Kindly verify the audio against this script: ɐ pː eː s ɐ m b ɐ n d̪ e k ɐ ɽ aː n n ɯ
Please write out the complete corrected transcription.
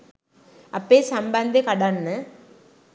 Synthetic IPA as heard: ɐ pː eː s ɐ m b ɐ n d̪ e k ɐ ɽ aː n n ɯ